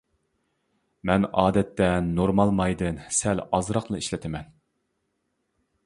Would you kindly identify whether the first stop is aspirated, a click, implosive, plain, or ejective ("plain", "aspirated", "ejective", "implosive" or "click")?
plain